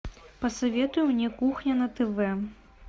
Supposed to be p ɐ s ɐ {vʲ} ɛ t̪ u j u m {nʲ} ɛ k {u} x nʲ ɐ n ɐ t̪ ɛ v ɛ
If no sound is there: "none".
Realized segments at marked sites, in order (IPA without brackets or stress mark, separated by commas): vʲ, nʲ, u